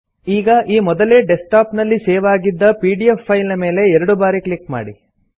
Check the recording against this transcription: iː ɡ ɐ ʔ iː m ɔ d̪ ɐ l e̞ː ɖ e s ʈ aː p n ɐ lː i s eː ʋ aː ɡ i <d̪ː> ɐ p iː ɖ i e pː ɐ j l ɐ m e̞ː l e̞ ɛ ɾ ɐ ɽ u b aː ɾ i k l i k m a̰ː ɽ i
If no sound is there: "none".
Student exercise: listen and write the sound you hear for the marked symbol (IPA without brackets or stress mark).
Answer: d̪ː